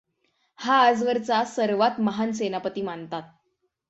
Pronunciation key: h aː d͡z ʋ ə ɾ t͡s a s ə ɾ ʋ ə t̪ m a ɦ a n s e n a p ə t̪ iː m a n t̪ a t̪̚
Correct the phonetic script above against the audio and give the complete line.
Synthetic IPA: h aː d͡z ʋ ə ɾ t͡s a s ə ɾ ʋ a t̪ m ə ɦ a n s e n a p ə t̪ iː m a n t̪ a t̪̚